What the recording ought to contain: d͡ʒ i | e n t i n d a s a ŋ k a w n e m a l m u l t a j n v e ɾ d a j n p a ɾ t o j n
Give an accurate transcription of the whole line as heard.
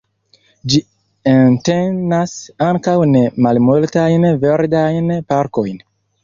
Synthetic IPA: d͡ʒ i | e n t e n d a s a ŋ k a w n e m a l m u l t a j n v e ɾ d a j n p a ɾ k o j n